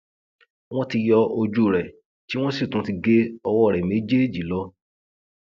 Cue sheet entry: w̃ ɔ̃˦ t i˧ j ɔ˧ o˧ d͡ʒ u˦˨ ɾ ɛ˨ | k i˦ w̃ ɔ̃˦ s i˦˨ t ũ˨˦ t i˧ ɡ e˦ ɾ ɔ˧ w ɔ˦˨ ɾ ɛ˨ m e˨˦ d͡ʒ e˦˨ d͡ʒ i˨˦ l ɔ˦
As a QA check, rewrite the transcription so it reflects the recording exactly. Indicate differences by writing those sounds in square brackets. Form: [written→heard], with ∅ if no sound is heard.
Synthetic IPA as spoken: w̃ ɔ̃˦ t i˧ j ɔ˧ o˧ d͡ʒ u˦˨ ɾ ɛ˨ | [k→t] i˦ w̃ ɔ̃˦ s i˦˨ t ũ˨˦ t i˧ ɡ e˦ [ɾ→∅] ɔ˧ w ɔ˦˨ ɾ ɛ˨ m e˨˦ d͡ʒ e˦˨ d͡ʒ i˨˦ l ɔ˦